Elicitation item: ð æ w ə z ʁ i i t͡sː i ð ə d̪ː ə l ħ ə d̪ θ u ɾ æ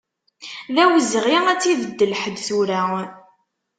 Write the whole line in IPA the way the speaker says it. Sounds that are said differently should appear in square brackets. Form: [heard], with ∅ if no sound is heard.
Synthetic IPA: ð æ w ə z ʁ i [æ] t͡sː i ð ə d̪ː ə l ħ ə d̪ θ u ɾ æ